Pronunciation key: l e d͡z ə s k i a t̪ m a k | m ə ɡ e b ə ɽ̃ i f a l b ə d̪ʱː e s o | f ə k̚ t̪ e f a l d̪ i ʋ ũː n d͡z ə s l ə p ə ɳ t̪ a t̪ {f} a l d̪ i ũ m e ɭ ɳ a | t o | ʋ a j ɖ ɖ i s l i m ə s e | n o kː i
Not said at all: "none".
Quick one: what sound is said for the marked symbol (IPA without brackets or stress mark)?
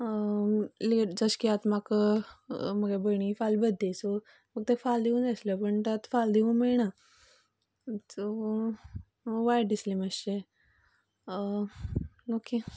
f